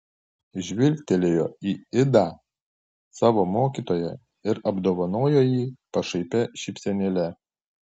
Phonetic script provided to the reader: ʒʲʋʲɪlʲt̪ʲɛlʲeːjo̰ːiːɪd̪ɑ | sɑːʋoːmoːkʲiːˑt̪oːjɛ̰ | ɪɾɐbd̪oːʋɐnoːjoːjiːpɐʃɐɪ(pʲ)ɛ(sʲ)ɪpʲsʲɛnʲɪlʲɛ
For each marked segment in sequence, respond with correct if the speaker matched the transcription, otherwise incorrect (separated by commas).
correct, incorrect